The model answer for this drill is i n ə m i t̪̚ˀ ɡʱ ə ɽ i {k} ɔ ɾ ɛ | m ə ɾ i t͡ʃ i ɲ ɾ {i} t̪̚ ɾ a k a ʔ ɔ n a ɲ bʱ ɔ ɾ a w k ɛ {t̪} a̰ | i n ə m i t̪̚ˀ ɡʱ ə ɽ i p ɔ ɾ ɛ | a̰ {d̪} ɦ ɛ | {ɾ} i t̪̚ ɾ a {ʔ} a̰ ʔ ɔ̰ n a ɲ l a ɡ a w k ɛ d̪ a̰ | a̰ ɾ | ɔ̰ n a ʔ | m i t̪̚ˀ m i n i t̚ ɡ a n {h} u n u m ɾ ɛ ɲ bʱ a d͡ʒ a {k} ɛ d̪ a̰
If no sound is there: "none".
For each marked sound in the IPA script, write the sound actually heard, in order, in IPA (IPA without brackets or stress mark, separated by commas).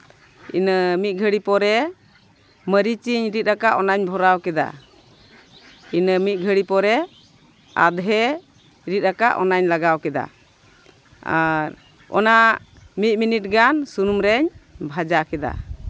p, i, d̪, d̪, ɾ, k, s, k